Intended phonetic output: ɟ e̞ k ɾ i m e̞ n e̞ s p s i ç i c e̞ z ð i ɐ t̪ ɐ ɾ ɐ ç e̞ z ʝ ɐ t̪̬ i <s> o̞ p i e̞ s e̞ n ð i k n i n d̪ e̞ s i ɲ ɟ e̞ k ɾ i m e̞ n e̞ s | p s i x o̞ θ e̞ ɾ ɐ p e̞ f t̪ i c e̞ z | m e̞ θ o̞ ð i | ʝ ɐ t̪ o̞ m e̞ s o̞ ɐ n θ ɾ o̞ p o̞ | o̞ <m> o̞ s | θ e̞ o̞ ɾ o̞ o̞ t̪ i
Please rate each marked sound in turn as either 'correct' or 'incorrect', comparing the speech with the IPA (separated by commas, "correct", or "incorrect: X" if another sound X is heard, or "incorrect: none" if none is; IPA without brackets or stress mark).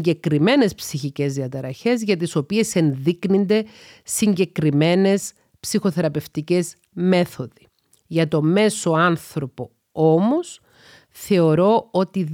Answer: correct, correct